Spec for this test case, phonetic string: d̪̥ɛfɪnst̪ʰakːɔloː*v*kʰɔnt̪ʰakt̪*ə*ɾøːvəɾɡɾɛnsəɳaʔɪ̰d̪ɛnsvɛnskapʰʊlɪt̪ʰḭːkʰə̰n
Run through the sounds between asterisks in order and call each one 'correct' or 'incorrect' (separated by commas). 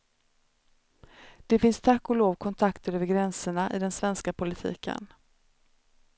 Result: correct, correct